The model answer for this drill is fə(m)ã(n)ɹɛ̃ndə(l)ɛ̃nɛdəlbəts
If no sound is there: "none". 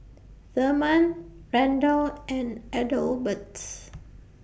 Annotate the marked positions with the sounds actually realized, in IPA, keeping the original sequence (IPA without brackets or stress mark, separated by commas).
m, n, l